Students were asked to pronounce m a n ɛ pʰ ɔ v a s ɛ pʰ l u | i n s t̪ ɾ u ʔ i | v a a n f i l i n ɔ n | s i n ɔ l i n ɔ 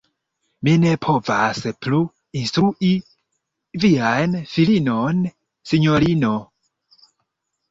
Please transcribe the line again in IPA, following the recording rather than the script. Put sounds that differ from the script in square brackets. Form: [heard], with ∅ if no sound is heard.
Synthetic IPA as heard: m [i] n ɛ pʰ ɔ v a s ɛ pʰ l u | i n s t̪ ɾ u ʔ i | v [i] a n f i l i n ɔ n | s i [ɲ] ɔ l i n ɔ